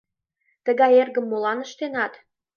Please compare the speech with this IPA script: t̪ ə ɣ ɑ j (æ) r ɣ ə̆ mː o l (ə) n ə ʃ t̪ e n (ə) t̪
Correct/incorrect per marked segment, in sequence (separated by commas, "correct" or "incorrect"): incorrect, incorrect, incorrect